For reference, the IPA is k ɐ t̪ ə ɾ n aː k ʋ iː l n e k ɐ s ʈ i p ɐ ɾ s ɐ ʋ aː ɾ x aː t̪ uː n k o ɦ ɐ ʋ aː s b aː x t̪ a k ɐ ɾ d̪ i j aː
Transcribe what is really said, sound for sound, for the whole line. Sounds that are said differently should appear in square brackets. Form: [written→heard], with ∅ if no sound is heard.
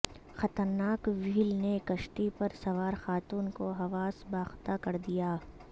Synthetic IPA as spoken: [k→x] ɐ t̪ ə ɾ n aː k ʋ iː l n e k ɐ [s→ʃ] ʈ i p ɐ ɾ s ɐ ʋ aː ɾ x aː t̪ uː n k o ɦ ɐ ʋ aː s b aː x t̪ a k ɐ ɾ d̪ i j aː